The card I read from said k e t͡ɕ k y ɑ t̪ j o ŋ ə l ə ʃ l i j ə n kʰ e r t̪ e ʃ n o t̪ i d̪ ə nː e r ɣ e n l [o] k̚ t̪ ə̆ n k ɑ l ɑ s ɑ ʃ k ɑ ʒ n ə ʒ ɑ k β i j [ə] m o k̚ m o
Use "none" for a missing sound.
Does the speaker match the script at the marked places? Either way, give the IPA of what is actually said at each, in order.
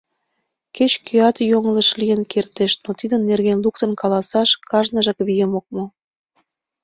u, ə

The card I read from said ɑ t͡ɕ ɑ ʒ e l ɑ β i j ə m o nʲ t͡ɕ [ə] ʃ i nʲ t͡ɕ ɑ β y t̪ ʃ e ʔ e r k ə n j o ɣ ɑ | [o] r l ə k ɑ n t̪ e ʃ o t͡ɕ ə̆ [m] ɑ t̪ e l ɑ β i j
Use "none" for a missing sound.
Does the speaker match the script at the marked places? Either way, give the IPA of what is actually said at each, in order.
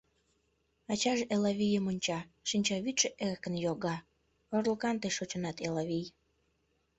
ɑ, o, n

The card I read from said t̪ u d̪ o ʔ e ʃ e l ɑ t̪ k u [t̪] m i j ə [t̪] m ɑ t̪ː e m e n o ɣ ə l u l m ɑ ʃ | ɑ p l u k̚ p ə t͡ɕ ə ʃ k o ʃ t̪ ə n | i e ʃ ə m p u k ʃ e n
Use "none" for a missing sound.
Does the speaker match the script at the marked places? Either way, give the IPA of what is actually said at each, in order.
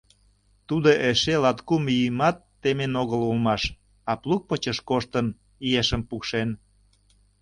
none, none

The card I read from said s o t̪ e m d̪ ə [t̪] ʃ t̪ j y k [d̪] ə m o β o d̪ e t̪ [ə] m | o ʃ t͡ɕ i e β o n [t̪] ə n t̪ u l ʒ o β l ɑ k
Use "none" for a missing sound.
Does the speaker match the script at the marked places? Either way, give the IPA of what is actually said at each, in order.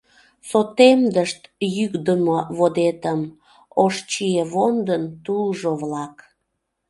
none, d̪, ə, d̪

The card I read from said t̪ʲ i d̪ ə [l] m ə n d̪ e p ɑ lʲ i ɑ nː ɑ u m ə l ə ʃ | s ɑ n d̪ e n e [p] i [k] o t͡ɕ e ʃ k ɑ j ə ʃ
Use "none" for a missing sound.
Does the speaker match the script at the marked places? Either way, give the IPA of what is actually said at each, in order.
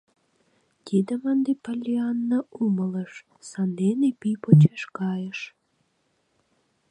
none, p, p

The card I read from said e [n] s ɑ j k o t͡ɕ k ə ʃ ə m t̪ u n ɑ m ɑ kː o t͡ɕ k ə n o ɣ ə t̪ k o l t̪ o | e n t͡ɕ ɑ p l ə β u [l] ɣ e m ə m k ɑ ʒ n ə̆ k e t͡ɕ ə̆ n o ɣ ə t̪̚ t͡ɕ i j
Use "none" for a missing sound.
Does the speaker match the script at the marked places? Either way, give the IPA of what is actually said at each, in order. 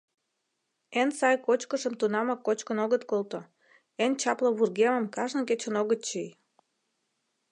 n, r

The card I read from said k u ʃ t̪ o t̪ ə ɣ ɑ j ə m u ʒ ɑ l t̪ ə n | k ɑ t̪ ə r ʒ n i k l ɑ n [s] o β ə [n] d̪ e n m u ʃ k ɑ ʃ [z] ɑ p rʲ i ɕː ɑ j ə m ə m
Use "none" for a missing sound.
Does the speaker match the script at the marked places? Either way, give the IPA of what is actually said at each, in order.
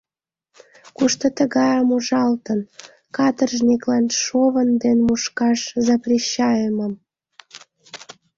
ʃ, n, z

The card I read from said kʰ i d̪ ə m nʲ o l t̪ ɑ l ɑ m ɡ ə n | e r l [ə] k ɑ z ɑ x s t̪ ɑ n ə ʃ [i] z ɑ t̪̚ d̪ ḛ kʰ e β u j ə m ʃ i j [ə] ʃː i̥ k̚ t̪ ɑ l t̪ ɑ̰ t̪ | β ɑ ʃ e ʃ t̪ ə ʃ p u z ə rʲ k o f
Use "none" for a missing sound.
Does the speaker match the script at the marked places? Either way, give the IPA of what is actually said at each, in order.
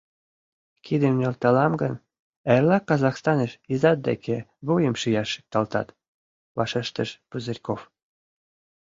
ɑ, i, ɑ

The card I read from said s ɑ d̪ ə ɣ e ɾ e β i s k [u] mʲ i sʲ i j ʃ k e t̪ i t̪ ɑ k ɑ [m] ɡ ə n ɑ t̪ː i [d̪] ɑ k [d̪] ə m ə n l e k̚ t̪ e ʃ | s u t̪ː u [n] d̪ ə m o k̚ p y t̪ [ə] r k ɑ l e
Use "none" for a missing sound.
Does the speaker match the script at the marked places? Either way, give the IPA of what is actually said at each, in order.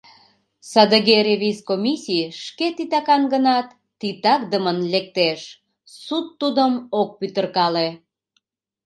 o, n, t̪, d̪, none, ə

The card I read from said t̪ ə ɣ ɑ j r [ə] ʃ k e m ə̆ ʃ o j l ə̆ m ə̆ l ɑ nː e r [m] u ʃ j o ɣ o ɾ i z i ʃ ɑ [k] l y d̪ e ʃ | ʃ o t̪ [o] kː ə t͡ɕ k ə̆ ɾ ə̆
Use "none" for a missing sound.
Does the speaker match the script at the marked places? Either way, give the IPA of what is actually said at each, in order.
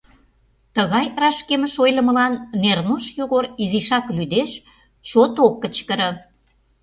ɑ, n, k, o

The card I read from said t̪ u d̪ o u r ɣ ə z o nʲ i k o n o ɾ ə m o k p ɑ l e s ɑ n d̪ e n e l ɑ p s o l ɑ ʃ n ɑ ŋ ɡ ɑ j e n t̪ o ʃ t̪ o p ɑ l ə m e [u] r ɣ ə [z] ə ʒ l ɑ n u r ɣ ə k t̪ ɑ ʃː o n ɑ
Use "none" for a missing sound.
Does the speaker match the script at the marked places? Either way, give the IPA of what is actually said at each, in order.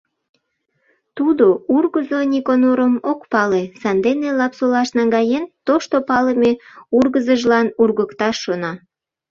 u, z

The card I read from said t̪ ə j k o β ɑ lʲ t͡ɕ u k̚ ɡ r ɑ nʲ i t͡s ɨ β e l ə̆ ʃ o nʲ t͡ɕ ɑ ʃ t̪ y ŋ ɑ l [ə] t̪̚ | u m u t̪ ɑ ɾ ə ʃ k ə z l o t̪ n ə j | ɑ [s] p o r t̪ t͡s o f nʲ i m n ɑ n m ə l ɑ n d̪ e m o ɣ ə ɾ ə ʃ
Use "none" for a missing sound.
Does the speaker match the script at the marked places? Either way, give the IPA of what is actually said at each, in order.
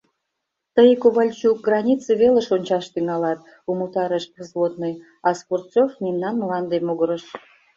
ɑ, s

